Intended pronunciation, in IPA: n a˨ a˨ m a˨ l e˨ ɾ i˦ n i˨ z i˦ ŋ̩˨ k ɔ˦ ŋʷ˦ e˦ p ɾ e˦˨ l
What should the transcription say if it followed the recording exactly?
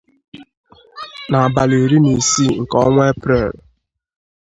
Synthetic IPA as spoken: n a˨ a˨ b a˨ l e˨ ɾ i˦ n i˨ s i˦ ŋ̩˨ k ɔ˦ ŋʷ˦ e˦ p ɾ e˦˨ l